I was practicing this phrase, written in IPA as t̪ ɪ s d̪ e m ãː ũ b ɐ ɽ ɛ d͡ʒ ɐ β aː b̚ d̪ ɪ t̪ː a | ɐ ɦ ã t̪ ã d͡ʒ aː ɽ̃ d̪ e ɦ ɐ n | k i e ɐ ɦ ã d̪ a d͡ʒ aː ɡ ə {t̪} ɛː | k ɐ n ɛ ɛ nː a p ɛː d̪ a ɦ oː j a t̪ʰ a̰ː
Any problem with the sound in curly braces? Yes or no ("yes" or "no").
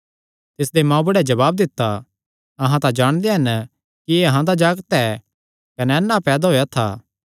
no